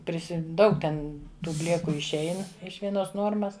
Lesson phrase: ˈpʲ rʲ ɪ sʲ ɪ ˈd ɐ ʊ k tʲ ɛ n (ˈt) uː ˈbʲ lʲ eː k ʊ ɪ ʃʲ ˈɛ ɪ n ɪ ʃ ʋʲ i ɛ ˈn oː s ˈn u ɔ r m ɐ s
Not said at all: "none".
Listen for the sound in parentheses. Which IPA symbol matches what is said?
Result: t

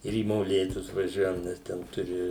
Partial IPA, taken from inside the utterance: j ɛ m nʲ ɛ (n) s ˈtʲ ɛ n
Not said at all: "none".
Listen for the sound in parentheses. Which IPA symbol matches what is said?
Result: none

